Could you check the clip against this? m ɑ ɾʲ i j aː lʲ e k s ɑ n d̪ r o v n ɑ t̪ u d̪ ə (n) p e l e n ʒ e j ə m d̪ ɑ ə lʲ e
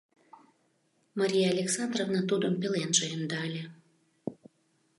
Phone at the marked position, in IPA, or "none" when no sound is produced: m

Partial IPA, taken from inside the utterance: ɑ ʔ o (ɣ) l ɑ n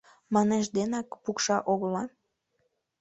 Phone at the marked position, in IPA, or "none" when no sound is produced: ɣ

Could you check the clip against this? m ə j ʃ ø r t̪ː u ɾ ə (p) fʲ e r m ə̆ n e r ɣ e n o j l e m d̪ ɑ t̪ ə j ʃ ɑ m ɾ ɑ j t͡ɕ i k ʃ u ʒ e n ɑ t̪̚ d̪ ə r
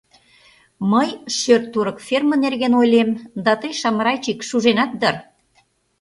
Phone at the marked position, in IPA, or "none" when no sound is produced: k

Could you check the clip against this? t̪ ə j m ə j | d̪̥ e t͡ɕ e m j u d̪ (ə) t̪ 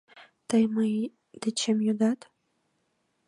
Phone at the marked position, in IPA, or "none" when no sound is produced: ɑ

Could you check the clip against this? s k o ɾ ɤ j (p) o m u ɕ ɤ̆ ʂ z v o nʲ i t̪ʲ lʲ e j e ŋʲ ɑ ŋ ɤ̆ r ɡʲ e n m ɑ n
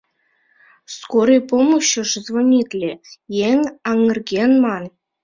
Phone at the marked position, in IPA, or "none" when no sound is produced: p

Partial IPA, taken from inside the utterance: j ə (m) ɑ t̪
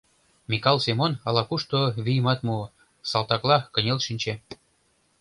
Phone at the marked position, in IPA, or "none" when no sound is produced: m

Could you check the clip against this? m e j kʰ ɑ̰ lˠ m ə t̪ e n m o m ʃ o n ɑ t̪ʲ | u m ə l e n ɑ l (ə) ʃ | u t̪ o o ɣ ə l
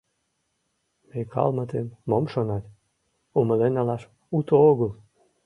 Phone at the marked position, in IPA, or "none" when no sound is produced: ɑ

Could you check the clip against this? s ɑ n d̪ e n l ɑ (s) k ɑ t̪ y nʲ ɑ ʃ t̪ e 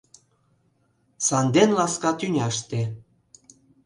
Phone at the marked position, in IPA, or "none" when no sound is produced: s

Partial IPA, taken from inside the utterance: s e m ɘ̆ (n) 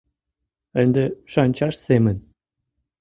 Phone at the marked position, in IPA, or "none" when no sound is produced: n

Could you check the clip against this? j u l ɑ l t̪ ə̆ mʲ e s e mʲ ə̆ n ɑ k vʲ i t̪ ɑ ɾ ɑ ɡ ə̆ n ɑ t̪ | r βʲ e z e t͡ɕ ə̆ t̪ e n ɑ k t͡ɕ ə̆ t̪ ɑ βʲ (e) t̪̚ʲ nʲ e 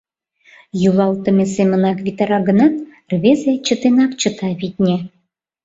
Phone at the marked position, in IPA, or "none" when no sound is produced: i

